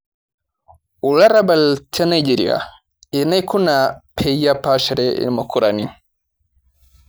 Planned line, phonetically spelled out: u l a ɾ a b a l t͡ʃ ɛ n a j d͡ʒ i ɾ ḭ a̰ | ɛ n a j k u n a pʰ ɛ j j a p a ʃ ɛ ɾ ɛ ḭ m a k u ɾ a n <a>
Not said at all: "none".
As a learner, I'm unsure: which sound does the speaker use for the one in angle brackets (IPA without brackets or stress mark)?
i